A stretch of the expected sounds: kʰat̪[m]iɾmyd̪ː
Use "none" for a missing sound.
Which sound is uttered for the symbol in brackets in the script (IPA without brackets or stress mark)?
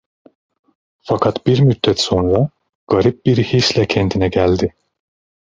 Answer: b